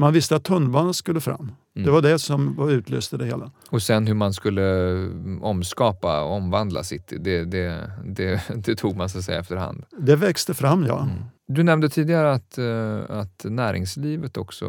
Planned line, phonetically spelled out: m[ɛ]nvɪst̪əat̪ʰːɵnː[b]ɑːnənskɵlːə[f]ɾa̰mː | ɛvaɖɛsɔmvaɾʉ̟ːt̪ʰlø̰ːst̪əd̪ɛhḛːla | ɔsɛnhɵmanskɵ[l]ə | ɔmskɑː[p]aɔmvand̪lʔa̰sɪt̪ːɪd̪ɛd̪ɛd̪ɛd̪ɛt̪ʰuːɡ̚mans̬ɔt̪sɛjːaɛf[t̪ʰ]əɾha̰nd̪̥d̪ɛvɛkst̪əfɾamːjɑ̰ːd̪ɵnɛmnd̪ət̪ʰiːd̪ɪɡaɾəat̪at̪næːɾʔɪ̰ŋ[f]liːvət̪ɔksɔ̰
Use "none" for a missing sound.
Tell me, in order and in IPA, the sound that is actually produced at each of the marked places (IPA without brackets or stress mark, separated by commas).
a, b, f, lː, p, t̪, s